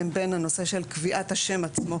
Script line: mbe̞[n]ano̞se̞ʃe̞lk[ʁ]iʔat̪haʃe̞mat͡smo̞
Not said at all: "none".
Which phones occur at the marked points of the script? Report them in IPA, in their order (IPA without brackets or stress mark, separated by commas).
n, v